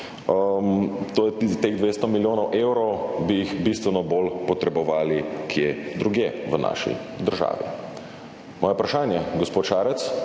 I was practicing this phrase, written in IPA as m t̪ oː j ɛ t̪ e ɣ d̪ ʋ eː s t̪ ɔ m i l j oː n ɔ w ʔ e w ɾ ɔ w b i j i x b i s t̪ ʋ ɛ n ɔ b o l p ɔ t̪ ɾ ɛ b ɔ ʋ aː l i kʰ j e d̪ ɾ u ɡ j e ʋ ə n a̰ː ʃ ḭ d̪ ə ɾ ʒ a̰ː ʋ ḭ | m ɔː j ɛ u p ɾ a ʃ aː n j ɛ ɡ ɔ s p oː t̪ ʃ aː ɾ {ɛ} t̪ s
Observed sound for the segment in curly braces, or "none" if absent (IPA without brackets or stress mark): ɛ